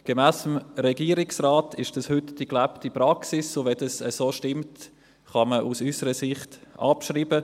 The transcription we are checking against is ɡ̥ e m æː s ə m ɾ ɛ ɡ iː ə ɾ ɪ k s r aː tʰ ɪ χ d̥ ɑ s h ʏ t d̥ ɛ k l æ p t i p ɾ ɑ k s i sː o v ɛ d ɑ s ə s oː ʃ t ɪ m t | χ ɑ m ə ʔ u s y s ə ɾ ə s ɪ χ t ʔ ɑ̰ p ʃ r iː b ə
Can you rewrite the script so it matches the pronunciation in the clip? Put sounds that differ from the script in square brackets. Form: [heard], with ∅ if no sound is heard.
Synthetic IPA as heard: ɡ̥ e m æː s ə m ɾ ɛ ɡ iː ə ɾ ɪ k s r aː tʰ ɪ [ʃ] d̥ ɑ s h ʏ t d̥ [i] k l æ p t i p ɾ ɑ k s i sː o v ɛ d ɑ s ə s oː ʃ t ɪ m t | χ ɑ m ə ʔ u s y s ə ɾ ə s ɪ χ t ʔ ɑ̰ p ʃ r iː b ə